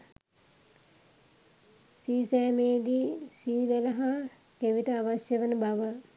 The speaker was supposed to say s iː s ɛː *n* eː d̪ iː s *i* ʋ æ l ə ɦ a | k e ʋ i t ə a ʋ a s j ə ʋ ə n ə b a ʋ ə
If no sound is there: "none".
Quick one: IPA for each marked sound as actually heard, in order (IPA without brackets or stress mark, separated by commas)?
m, iː